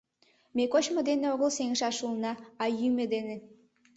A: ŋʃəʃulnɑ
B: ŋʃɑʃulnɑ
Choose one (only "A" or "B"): B